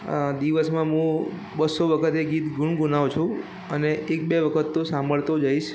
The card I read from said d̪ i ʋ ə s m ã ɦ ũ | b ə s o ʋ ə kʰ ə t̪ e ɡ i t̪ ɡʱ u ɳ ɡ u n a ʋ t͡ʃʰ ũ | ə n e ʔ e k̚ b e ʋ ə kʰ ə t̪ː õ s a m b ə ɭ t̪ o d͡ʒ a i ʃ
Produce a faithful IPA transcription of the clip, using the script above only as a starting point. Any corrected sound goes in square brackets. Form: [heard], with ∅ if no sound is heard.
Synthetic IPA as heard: d̪ i ʋ ə s m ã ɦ ũ | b ə s o ʋ ə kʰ ə t̪ e ɡ i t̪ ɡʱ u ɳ ɡ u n a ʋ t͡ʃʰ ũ | ə n e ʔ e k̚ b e ʋ ə kʰ ə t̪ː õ s a m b ə ɭ t̪ o d͡ʒ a i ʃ